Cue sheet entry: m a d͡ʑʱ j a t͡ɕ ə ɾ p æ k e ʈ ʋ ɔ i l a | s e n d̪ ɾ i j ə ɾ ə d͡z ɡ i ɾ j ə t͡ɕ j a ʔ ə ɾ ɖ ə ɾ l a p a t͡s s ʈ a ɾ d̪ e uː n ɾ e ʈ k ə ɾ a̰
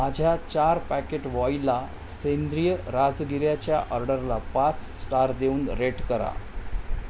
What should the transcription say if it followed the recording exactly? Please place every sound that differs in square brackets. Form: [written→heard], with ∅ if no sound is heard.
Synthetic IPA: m a d͡ʑʱ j a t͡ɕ [ə→a] ɾ p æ k e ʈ ʋ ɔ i l a | s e n d̪ ɾ i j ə ɾ [ə→a] d͡z ɡ i ɾ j [ə→a] t͡ɕ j a ʔ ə ɾ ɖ ə ɾ l a p a t͡s s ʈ a ɾ d̪ e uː n ɾ e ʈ k ə ɾ a̰